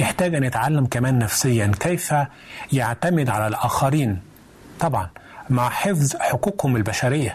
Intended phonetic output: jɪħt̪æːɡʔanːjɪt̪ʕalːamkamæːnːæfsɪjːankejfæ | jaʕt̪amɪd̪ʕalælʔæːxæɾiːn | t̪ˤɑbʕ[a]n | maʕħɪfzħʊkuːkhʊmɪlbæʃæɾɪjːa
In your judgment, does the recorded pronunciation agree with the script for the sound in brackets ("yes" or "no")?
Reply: no